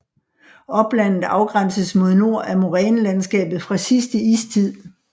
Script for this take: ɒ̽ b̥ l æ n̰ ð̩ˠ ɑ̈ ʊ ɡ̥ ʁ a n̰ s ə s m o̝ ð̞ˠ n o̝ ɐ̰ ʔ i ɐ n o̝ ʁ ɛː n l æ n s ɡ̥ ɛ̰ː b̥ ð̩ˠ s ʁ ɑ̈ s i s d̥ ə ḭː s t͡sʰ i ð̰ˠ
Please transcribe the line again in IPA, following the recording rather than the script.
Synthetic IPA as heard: ɒ̽ b̥ l æ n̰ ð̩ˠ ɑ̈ ʊ ɡ̥ ʁ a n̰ s ə s m o̝ ð̞ˠ n o̝ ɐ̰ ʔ æ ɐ m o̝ ʁ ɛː n l æ n s ɡ̥ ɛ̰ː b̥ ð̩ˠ f ʁ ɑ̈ s i s d̥ ə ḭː s t͡sʰ i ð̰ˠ